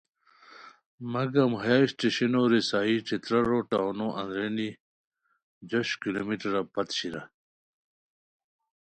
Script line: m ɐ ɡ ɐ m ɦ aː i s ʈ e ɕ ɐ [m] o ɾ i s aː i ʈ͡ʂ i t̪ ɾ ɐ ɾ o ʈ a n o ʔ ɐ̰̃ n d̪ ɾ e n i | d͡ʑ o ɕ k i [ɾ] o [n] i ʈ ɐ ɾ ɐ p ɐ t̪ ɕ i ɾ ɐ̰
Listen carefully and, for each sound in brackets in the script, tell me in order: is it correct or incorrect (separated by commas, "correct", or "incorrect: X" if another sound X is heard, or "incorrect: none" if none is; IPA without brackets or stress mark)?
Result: incorrect: n, incorrect: l, incorrect: m